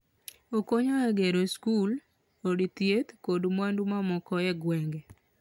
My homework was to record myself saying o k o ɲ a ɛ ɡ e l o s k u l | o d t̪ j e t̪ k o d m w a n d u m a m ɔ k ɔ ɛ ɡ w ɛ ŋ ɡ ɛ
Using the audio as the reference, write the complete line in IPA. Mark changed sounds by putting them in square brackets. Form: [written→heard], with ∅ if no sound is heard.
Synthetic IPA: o k o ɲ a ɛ ɡ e [l→ɾ] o s k u l | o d t̪ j e t̪ k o d m w a n d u m a m ɔ k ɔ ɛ ɡ w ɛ ŋ ɡ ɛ